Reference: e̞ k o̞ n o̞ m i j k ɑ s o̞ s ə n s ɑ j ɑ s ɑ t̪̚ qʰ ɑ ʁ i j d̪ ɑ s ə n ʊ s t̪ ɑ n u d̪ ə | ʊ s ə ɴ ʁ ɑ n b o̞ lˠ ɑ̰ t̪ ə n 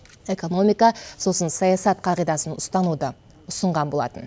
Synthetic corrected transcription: e̞ k o̞ n o̞ m i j k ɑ s o̞ s ə n s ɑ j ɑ s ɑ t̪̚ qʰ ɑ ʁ i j d̪ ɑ s ə n ʊ s t̪ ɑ n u d̪ ə | ʊ s ə ɴ ʁ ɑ n b o̞ lˠ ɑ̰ t̪ ə n